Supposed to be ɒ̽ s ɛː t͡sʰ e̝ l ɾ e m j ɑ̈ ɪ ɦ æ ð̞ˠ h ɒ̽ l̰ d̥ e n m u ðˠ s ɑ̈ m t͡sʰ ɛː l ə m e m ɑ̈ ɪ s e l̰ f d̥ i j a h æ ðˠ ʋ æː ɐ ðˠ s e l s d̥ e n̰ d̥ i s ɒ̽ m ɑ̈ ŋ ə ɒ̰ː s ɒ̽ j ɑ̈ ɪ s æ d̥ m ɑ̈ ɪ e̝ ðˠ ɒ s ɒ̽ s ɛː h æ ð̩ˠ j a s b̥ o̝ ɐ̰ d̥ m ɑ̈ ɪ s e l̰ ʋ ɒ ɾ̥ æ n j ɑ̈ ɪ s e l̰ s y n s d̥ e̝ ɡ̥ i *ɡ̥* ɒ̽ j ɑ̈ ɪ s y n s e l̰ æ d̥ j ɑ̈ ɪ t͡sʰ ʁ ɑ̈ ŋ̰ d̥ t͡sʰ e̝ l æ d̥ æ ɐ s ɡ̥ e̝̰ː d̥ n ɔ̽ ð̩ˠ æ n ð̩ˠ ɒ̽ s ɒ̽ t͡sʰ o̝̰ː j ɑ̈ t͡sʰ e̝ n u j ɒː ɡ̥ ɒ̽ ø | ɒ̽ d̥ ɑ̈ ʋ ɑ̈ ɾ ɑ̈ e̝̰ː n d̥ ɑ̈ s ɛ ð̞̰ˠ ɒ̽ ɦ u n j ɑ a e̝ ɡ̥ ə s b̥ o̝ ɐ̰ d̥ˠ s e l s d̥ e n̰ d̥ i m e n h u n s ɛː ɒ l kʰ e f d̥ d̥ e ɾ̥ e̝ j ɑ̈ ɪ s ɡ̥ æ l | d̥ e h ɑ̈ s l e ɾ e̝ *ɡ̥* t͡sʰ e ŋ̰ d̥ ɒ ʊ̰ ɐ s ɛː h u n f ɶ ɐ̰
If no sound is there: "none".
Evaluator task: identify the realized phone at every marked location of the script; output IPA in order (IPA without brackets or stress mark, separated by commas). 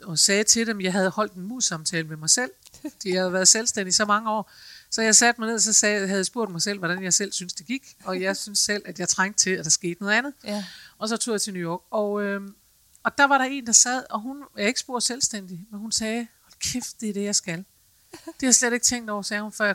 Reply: ɡ̥, ɡ̥